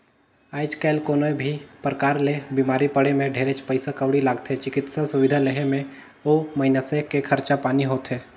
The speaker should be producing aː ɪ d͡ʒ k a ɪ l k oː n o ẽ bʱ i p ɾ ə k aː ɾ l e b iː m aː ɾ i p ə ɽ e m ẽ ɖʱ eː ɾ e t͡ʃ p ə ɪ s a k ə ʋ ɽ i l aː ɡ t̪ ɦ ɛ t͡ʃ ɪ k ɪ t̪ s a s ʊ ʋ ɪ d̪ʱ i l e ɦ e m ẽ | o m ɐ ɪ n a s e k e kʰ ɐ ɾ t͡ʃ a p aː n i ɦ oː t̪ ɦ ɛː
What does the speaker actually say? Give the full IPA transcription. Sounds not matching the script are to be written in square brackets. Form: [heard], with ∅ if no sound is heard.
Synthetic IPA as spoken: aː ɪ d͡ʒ k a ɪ l k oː n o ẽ bʱ i p ɾ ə k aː ɾ l e b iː m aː ɾ i p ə ɽ e m ẽ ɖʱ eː ɾ e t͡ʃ p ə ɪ s a k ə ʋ ɽ i l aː ɡ t̪ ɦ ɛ t͡ʃ ɪ k ɪ t̪ s a s ʊ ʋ ɪ d̪ʱ [a] l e ɦ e m ẽ | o m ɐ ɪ n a s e k e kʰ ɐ ɾ t͡ʃ a p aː n i ɦ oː t̪ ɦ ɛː